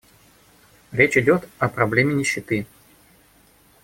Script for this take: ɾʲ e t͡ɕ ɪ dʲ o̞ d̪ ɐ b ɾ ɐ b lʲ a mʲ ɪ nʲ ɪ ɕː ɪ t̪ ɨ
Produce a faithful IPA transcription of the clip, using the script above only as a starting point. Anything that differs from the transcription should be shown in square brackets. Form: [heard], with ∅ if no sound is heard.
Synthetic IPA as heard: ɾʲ e t͡ɕ ɪ dʲ o̞ [t̪] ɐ [p] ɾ ɐ b lʲ [e] mʲ ɪ nʲ ɪ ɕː ɪ t̪ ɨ